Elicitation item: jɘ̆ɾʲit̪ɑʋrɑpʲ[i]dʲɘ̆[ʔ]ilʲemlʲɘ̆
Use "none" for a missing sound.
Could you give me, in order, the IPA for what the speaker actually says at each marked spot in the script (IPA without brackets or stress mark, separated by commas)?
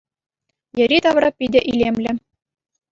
i, ʔ